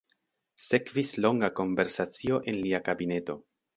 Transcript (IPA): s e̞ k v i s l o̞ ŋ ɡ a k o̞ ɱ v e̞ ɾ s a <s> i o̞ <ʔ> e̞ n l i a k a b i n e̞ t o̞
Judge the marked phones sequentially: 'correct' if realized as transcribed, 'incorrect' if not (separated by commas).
incorrect, correct